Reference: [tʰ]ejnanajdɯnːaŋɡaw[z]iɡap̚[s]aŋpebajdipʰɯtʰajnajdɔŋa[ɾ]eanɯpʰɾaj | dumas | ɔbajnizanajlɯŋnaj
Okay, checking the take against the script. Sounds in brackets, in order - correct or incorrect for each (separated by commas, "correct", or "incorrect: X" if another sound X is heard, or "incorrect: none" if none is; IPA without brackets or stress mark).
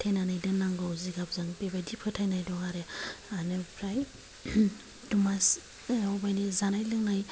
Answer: correct, correct, incorrect: z, correct